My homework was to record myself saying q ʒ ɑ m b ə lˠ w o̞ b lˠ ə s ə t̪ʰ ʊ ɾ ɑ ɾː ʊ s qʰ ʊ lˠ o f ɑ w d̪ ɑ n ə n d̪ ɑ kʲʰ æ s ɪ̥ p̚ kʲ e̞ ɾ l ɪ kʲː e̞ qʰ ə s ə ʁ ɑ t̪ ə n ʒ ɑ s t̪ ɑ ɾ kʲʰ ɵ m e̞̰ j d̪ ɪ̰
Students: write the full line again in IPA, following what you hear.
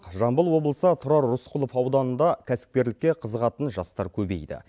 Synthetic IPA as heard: q ʒ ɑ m b ə lˠ w o̞ b lˠ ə s ə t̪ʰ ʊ ɾ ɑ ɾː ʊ s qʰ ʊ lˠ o f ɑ w d̪ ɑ n ə n d̪ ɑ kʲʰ æ s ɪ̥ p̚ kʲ e̞ ɾ l ɪ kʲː e̞ qʰ ə z ə ʁ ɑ t̪ ə n ʒ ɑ s t̪ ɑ ɾ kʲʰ ɵ b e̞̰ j d̪ ɪ̰